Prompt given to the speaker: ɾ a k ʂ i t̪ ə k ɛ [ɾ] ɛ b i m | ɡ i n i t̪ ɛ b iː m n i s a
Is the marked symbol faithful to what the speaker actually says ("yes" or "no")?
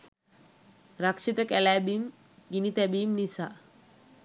no